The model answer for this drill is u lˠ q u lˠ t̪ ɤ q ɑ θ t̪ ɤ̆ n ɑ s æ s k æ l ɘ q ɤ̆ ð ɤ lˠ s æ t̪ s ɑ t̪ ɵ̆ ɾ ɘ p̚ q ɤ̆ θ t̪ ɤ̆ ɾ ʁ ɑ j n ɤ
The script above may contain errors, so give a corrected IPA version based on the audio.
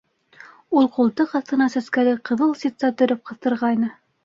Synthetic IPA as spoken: u lˠ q u lˠ t̪ ɤ q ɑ θ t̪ ɤ̆ n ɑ s æ s k æ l ɘ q ɤ̆ ð ɤ lˠ s i t̪ s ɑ t̪ ɵ̆ ɾ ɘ p̚ q ɤ̆ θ t̪ ɤ̆ ɾ ʁ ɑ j n ɤ